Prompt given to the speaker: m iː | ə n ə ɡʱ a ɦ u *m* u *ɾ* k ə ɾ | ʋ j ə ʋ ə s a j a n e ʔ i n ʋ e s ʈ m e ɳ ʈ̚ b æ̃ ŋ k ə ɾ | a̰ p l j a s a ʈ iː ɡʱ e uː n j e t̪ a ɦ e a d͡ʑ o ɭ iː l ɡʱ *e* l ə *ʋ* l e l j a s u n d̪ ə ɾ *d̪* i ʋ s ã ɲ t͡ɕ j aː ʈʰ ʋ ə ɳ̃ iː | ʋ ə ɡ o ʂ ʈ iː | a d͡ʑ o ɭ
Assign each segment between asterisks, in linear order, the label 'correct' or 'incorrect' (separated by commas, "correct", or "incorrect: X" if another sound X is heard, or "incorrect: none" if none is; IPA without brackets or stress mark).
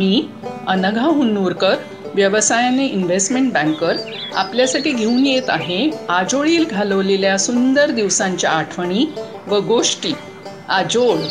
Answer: incorrect: n, correct, incorrect: a, correct, correct